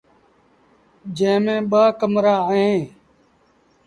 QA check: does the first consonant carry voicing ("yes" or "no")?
yes